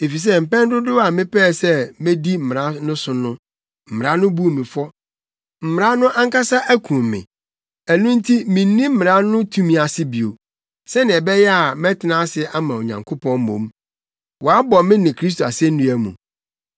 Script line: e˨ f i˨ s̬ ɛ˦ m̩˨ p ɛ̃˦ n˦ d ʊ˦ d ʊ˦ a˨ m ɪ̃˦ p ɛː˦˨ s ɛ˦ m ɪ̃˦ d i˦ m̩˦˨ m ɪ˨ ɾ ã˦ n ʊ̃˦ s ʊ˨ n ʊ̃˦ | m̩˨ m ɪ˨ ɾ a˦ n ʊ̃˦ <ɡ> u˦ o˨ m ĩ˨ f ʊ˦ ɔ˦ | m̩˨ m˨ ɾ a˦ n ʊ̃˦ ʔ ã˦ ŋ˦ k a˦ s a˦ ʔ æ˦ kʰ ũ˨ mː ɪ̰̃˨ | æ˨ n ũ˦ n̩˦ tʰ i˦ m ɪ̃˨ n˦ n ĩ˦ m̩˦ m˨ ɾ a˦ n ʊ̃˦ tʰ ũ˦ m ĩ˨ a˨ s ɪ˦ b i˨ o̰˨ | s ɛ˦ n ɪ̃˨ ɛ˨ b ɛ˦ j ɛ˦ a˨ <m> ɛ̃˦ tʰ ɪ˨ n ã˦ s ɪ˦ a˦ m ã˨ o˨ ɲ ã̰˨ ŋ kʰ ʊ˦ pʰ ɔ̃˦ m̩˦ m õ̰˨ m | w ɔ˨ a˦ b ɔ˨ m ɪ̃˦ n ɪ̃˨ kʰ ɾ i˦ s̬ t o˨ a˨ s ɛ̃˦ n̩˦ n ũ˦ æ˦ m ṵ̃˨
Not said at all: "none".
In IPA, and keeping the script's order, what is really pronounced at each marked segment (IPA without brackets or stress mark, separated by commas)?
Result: b, m